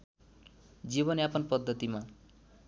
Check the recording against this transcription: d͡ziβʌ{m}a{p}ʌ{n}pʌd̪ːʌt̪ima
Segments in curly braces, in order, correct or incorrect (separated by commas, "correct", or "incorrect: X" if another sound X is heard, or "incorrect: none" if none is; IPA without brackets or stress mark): incorrect: n, correct, correct